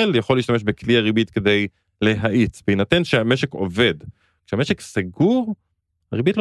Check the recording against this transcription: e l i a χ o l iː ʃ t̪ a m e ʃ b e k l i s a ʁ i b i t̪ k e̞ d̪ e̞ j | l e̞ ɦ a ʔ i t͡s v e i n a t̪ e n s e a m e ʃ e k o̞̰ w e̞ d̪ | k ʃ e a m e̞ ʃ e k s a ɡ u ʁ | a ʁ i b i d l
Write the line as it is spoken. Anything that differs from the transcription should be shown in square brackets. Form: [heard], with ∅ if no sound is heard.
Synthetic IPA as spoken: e l [j] a χ o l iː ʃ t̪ a m e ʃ b e k l i [∅] a ʁ i b i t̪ k e̞ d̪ e̞ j | l e̞ ɦ a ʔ i t͡s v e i n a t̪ e n [ʃ] e a m e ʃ e k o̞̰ [v] e̞ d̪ | k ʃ e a m e̞ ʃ e k s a ɡ u ʁ | a ʁ i b i [t] l